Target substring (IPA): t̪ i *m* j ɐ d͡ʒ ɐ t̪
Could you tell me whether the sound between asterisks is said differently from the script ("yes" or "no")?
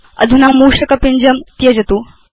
yes